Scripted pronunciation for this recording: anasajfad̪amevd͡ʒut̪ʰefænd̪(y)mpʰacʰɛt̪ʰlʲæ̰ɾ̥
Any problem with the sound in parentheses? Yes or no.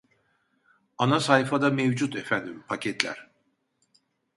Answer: yes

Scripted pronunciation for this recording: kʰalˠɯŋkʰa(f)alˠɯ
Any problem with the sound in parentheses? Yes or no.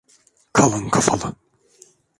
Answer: no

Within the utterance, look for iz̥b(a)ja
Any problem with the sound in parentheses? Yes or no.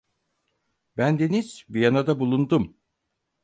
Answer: yes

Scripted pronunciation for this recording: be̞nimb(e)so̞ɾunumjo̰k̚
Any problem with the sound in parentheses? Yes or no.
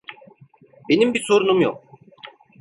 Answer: yes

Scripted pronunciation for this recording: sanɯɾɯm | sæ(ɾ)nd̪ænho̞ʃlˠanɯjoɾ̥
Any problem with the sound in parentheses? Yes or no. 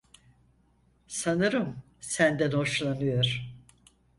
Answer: yes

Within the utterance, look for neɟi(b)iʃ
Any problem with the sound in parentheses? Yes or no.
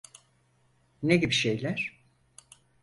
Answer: no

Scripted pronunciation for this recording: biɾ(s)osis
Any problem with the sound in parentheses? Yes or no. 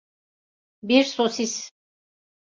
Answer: no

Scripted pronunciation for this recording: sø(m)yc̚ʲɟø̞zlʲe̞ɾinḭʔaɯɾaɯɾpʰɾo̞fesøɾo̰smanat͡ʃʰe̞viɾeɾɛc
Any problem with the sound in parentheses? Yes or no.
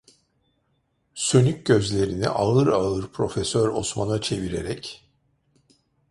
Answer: yes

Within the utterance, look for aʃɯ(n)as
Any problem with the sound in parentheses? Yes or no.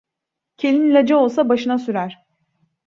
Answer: no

